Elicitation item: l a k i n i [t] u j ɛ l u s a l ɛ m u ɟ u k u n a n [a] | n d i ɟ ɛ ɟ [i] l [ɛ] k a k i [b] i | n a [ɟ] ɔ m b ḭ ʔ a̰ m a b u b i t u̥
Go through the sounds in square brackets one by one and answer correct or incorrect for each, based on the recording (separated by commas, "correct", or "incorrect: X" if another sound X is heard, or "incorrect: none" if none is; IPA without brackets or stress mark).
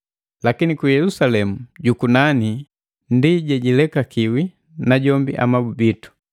incorrect: k, incorrect: i, correct, correct, incorrect: w, correct